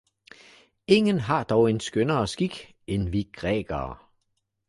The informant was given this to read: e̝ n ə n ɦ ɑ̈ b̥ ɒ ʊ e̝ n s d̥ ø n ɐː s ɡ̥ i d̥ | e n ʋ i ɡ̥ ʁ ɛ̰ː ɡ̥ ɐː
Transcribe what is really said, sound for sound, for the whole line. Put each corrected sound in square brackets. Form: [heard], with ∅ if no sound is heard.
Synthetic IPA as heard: e̝ [ŋ] ə n ɦ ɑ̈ [d̥] ɒ ʊ e̝ n s [ɡ̥] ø n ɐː s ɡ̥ i [ɡ̥] | e n ʋ i ɡ̥ ʁ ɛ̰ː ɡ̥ ɐː